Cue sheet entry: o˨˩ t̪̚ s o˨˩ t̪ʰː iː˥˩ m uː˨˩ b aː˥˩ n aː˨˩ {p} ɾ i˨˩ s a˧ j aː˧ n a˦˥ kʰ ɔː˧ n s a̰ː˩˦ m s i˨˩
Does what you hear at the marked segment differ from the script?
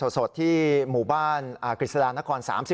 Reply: yes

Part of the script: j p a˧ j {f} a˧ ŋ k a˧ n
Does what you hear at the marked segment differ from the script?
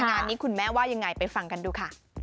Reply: no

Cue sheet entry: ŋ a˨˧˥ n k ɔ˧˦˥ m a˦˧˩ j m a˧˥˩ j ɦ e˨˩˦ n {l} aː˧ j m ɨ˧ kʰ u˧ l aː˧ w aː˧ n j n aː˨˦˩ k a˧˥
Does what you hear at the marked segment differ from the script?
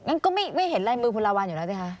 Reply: no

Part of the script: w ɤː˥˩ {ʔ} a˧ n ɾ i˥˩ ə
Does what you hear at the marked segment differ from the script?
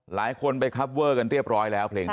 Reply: yes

